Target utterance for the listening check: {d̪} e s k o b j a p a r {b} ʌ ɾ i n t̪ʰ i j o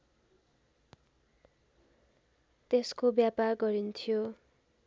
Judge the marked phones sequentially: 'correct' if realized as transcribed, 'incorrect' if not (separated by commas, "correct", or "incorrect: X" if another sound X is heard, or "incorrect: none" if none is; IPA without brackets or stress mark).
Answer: incorrect: t̪, incorrect: ɡ